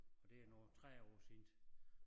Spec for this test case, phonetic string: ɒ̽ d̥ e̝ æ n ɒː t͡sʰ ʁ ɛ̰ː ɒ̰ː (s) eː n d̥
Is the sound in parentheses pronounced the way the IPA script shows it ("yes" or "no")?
yes